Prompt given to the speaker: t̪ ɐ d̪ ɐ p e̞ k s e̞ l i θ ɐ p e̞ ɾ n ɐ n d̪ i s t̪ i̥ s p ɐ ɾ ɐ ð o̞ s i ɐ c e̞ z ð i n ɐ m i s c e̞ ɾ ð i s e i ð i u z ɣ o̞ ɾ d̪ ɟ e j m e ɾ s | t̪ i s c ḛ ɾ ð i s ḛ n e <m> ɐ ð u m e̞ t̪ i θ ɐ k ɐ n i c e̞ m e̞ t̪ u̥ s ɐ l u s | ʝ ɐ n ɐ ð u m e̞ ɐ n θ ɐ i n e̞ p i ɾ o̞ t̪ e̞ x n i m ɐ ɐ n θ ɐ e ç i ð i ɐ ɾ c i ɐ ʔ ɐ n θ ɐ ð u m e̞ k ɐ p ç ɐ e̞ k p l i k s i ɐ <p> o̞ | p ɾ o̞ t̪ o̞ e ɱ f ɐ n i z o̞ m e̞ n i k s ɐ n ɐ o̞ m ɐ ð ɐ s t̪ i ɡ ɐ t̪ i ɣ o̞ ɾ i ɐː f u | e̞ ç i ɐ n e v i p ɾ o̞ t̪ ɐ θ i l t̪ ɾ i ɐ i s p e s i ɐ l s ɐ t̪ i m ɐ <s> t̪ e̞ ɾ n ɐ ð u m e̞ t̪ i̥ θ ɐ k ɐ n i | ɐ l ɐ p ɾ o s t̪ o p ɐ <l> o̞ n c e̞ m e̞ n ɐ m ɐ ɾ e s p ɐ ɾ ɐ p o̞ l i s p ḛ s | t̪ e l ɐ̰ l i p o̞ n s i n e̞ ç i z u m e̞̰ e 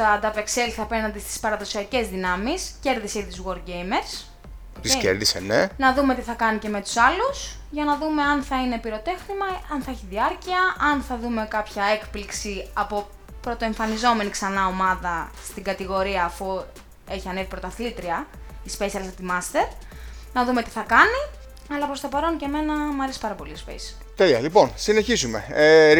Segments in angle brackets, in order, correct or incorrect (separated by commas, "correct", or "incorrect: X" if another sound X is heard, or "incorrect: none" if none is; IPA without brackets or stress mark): incorrect: n, correct, correct, incorrect: ɾ